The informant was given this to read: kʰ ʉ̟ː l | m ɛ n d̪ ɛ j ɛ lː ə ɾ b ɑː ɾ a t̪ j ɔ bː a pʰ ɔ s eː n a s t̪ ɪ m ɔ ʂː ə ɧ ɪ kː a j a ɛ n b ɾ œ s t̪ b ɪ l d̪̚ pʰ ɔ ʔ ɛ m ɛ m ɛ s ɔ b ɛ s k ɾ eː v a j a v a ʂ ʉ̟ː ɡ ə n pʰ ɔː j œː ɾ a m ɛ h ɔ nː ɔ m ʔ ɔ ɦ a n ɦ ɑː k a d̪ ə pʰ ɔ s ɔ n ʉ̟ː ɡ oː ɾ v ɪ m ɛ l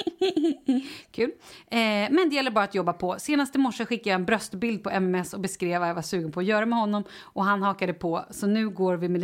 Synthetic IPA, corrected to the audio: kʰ ʉ̟ː l | m ɛ n d̪ ɛ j ɛ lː ə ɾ b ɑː ɾ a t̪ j ɔ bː a pʰ ɔ s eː n a s t̪ ɪ m ɔ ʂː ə ɧ ɪ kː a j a ɛ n b ɾ œ s t̪ b ɪ l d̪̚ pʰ ɔ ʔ ɛ m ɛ m ɛ s ɔ b ɛ s k ɾ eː v a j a v a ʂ ʉ̟ː ɡ ə n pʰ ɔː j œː ɾ a m ɛ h ɔ nː ɔ m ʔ ɔ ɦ a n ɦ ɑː k a d̪ ə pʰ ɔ s ɔ n ʉ̟ː ɡ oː ɾ v ɪ m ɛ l